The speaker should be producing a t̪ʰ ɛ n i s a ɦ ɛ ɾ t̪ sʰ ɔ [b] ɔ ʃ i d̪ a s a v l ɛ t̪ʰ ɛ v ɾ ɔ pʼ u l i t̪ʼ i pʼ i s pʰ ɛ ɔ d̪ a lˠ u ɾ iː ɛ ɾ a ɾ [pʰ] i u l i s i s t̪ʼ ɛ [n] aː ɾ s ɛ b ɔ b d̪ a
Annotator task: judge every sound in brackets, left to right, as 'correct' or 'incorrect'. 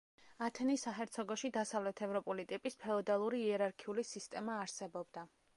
incorrect: ɡ, incorrect: kʰ, incorrect: m

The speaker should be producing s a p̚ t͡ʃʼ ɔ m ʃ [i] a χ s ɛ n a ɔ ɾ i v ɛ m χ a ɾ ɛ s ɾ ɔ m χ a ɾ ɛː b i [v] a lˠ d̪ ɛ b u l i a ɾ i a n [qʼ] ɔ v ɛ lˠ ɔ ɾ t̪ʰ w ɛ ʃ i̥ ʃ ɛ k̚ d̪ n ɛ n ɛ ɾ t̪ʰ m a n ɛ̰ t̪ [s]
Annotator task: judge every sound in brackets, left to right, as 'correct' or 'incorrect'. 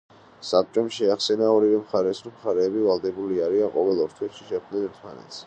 incorrect: ɛ, correct, correct, correct

